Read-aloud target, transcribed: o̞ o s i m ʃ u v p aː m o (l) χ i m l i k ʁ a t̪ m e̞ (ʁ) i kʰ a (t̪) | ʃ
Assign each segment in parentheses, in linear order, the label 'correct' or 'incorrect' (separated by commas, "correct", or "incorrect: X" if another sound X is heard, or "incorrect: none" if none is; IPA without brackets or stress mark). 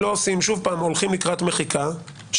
correct, incorrect: χ, incorrect: none